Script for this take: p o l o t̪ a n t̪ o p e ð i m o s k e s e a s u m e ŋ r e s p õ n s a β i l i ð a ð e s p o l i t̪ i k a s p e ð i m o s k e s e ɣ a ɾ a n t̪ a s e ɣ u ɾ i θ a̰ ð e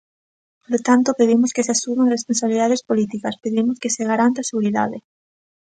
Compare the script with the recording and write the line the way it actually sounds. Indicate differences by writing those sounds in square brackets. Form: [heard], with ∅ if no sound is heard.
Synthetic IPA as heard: p o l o t̪ a n t̪ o p e ð i m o s k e s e a s u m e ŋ r e s p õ n s a β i l i ð a ð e s p o l i t̪ i k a s p e ð i m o s k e s e ɣ a ɾ a n t̪ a s e ɣ u ɾ i [ð] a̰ ð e

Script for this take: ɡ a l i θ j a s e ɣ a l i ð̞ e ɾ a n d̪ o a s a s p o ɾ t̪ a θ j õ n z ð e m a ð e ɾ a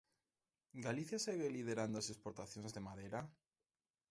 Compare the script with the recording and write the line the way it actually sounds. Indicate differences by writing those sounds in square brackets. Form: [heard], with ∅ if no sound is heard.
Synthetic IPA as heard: ɡ a l i θ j a s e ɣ [e] l i ð̞ e ɾ a n d̪ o a s [e] s p o ɾ t̪ a θ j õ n z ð e m a ð e ɾ a

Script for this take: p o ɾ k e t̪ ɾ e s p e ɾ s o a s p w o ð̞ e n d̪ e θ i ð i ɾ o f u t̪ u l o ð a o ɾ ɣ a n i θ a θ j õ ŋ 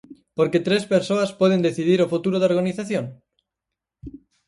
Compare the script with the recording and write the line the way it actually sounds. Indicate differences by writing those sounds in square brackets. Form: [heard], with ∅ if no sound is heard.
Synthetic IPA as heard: p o ɾ k e t̪ ɾ e s p e ɾ s o a s p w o ð̞ e n d̪ e θ i ð i ɾ o f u t̪ u [ɾ] o ð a o ɾ ɣ a n i θ a θ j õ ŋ

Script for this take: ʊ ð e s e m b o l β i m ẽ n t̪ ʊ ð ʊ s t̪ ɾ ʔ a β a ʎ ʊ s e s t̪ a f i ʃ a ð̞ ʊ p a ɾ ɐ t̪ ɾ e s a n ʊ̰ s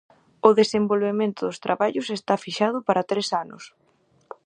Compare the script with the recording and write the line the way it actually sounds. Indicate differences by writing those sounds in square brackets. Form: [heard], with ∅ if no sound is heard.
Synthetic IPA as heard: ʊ ð e s e m b o l β [e] m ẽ n t̪ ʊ ð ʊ s t̪ ɾ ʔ a β a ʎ ʊ s e s t̪ a f i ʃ a ð̞ ʊ p a ɾ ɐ t̪ ɾ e s a n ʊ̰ s

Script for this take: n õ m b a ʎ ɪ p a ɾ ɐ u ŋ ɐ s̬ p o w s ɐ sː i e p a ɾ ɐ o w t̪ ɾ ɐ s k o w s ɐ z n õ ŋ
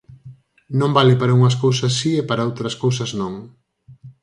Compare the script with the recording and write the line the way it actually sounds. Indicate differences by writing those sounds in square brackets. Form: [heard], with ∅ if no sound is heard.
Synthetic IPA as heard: n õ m b a [l] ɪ p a ɾ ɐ u ŋ ɐ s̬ [k] o w s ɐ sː i e p a ɾ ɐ o w t̪ ɾ ɐ s k o w s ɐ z n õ ŋ

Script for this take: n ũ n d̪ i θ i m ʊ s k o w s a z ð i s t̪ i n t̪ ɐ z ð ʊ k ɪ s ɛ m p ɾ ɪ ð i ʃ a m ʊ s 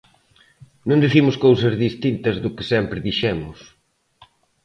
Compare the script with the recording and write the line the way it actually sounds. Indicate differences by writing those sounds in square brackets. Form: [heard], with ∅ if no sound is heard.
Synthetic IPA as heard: n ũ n d̪ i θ i m ʊ s k o w s [ɐ] z ð i s t̪ i n t̪ ɐ z ð ʊ k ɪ s ɛ m p ɾ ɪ ð i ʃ [ɛ] m ʊ s

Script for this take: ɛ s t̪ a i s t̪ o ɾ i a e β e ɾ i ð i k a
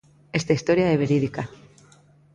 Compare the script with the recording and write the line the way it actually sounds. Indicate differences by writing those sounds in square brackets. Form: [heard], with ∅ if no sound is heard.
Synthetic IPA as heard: [e] s t̪ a i s t̪ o ɾ [j] a e β e ɾ i ð i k a

